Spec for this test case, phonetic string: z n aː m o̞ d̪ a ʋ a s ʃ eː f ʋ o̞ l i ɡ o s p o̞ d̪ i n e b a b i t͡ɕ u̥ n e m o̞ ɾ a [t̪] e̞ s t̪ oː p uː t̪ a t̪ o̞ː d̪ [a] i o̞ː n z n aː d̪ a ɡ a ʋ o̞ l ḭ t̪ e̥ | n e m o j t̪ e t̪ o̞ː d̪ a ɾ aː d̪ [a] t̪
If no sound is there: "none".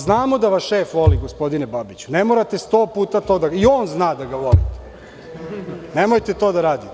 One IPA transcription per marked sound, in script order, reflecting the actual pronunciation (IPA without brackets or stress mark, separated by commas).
t̪, a, i